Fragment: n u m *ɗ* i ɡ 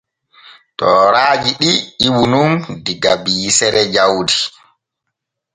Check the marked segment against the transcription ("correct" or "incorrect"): incorrect